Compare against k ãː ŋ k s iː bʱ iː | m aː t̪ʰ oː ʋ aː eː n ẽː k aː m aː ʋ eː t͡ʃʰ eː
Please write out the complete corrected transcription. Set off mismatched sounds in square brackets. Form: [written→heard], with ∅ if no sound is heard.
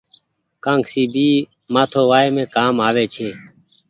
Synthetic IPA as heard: k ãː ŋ k s iː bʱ iː | m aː t̪ʰ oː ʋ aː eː [n→m] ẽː k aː m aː ʋ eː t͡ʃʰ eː